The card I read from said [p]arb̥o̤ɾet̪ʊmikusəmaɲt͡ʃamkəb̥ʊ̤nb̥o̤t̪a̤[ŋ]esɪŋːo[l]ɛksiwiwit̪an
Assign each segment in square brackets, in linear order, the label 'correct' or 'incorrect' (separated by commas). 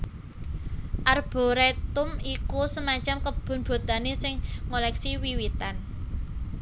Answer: incorrect, incorrect, correct